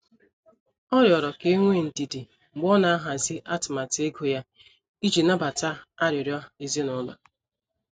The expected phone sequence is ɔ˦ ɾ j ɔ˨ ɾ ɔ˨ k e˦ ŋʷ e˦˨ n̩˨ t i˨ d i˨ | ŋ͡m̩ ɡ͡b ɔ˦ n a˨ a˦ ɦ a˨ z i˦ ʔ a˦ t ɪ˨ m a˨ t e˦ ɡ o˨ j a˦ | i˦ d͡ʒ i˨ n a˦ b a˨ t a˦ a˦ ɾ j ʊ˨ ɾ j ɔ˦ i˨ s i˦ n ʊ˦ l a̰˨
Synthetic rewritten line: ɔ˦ ɾ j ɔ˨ ɾ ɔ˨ k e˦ ŋʷ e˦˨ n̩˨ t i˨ d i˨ | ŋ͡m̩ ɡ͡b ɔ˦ n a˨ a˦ ɦ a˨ z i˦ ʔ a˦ t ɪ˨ m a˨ t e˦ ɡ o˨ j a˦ | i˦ d͡ʒ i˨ n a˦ b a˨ t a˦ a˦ ɾ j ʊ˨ ɾ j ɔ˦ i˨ z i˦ n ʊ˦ l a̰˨